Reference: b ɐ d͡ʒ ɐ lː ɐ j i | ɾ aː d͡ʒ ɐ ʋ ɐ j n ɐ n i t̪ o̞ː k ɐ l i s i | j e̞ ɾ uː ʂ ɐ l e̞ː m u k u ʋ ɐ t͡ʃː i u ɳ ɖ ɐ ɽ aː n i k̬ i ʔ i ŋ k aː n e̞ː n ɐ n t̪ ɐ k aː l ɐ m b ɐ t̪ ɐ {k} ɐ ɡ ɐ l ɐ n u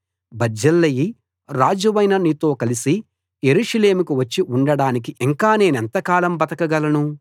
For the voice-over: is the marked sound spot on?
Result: yes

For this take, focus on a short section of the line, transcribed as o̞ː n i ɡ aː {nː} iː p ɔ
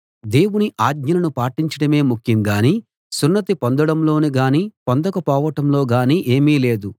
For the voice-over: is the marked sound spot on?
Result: no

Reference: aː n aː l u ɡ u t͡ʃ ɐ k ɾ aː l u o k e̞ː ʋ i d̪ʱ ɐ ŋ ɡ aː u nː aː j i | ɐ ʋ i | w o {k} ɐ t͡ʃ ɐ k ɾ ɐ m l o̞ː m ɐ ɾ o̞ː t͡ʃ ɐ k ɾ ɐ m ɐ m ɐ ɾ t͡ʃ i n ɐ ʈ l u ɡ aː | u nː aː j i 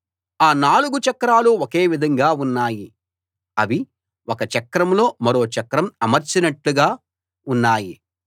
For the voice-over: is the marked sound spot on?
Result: yes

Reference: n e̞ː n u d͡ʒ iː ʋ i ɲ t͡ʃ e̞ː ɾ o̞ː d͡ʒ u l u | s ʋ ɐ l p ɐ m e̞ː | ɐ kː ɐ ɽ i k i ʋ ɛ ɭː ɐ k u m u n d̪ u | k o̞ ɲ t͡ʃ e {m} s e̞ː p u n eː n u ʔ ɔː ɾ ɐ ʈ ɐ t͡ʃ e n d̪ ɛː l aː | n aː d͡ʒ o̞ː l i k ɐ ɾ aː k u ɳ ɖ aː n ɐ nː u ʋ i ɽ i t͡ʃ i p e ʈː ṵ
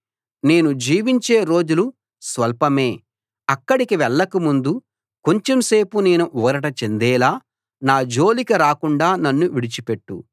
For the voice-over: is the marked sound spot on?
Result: yes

